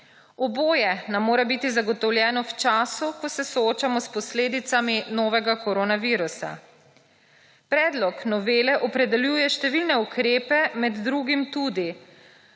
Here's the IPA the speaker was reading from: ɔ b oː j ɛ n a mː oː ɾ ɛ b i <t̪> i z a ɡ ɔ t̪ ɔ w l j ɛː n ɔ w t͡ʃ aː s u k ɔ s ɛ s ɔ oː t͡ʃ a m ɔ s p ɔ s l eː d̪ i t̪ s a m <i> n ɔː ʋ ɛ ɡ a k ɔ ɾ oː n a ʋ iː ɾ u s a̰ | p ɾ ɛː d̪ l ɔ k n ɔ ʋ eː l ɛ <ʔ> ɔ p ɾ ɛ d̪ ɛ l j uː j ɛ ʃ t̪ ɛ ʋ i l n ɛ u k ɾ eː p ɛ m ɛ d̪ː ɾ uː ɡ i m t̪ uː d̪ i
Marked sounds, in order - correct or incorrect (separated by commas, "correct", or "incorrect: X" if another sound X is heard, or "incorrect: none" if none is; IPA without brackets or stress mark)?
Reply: correct, correct, correct